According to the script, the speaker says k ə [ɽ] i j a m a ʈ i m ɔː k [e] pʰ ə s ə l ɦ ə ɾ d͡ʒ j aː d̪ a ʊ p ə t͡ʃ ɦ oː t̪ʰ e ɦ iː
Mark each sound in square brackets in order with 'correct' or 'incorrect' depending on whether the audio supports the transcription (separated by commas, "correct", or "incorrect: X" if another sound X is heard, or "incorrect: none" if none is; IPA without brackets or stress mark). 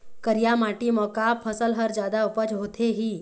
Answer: incorrect: ɾ, incorrect: a